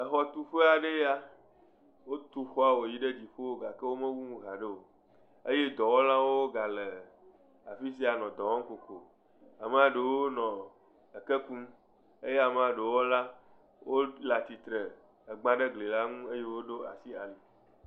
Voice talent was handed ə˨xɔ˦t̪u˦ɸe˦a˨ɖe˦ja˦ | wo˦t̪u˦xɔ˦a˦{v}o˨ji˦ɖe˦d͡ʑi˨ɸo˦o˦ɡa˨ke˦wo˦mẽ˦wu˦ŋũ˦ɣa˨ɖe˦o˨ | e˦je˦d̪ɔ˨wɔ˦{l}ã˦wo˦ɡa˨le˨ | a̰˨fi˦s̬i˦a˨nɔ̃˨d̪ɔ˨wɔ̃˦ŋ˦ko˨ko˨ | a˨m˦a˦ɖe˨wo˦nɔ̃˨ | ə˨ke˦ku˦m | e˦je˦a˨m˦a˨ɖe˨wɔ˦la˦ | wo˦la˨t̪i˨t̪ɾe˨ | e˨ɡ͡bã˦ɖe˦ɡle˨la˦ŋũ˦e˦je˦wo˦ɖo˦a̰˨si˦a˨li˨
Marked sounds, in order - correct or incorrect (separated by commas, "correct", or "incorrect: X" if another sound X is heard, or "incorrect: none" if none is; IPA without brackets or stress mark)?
incorrect: w, correct